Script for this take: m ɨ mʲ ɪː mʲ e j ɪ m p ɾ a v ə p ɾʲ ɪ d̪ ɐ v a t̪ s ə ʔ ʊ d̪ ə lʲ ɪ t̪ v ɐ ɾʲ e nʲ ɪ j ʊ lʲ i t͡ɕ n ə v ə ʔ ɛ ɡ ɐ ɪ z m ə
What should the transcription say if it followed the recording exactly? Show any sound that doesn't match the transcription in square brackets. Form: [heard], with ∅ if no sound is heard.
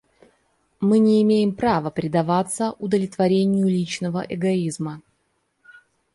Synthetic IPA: m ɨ [nʲ] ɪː mʲ e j ɪ m p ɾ a v ə p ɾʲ ɪ d̪ ɐ v a t̪ s ə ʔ ʊ d̪ ə lʲ ɪ t̪ v ɐ ɾʲ e nʲ ɪ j ʊ lʲ i t͡ɕ n ə v ə ʔ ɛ ɡ ɐ [i] z m ə